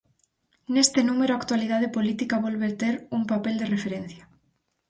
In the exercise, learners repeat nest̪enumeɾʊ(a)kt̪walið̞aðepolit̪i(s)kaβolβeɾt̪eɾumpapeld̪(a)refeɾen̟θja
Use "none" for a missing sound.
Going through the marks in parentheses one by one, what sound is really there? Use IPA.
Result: a, none, e

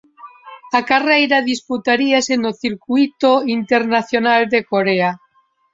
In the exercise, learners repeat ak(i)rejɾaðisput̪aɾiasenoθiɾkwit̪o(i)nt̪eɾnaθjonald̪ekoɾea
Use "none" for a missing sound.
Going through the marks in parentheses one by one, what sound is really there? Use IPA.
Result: a, i

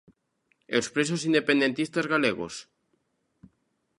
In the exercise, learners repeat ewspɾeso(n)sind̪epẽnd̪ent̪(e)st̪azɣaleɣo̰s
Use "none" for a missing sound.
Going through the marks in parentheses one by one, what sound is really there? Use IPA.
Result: none, i

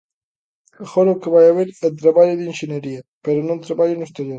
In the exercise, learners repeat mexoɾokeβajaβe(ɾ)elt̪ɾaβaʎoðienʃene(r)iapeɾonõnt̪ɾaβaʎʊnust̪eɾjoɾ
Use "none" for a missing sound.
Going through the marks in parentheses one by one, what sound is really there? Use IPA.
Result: ɾ, ɾ

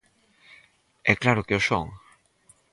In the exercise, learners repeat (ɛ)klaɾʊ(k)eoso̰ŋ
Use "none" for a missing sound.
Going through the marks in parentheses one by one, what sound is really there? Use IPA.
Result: ɛ, k

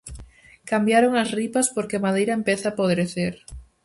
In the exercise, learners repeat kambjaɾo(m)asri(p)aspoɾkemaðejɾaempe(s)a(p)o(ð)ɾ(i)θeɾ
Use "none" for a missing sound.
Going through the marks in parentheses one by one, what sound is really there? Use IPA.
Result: ŋ, p, θ, p, ð, e

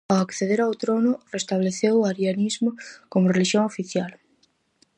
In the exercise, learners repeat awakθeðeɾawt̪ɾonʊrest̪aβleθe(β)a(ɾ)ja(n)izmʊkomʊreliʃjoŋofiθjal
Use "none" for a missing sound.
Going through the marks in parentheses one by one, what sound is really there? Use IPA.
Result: w, ɾ, n

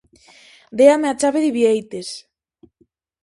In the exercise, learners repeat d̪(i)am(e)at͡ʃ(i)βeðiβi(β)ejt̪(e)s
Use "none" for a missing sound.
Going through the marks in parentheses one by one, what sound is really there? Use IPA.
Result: e, e, a, none, e

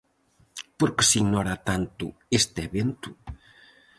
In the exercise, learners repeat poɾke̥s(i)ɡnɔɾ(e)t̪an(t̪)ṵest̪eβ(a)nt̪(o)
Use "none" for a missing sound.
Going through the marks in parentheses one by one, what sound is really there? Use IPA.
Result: i, a, t̪, e, u

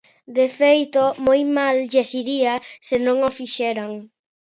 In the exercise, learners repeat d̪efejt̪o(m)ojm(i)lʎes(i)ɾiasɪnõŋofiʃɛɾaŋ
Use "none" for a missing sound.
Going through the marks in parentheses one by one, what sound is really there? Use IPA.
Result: m, a, i

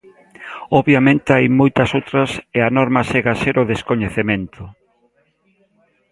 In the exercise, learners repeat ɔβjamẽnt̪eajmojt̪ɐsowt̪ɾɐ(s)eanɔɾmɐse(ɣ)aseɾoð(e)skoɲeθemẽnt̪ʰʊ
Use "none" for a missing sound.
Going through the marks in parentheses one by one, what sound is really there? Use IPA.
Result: s, ɣ, e

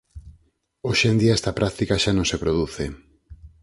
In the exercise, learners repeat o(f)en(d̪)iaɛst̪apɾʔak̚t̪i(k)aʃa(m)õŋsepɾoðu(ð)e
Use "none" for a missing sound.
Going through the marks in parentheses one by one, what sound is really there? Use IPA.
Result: ʃ, d̪, k, n, θ

